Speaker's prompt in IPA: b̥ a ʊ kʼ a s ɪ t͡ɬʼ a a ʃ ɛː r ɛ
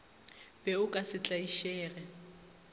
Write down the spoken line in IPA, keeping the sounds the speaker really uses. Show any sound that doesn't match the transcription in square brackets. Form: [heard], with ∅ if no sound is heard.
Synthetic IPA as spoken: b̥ [ɛ] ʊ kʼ a s ɪ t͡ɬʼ a [i] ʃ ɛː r ɛ